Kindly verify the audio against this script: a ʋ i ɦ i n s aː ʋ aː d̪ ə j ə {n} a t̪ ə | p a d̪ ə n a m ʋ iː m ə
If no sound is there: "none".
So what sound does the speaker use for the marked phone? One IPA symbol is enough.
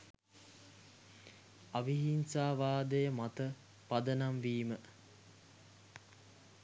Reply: m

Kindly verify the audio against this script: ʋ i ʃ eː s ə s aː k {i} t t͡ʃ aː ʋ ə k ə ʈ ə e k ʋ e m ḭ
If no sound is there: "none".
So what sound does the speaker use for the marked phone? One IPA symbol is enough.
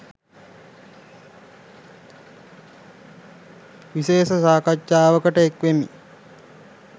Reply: a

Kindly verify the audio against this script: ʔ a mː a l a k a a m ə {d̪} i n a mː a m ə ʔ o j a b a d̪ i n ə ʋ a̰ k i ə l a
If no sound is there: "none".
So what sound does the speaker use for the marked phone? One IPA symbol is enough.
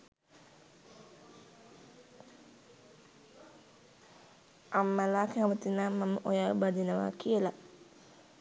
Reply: t̪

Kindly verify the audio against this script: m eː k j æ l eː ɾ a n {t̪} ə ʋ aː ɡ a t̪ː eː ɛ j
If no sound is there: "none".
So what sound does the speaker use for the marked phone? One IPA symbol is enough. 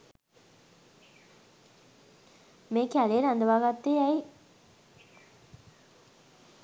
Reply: d̪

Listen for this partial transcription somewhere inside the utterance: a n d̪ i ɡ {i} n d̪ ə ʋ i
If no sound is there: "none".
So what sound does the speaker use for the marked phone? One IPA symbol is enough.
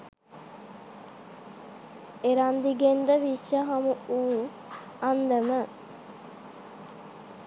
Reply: e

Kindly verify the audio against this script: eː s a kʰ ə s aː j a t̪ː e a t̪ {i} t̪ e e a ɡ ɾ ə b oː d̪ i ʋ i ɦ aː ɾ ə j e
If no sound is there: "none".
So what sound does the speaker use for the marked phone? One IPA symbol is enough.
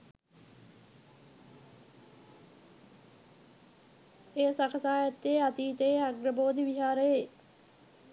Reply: iː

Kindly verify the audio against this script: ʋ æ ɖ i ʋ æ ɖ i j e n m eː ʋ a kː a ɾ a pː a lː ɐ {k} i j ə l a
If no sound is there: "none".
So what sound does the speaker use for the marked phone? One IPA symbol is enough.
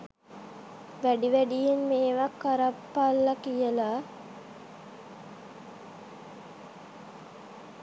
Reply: k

